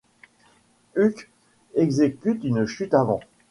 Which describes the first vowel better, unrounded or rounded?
rounded